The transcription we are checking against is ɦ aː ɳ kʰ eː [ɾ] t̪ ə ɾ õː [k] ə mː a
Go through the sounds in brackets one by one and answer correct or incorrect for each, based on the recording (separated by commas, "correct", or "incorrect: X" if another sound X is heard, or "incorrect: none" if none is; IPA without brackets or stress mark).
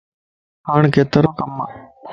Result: incorrect: none, correct